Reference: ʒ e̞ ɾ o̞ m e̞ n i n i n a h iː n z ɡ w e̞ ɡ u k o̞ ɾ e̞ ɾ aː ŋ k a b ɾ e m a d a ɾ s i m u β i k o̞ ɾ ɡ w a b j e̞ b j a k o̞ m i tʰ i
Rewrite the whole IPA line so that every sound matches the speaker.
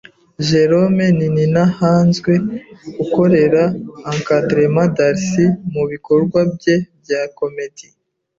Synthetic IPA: ʒ e̞ ɾ o̞ m e̞ n i n i n a h aː n z ɡ w e̞ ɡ u k o̞ ɾ e̞ ɾ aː ŋ k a d ɾ e m a d a ɾ s i m u β i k o̞ ɾ ɡ w a b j e̞ b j a k o̞ m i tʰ i